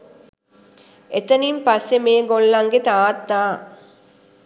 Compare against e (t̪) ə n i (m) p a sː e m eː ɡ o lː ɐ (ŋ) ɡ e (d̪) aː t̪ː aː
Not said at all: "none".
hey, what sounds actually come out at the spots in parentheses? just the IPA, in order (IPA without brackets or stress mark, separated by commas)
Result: t̪, m, ŋ, t̪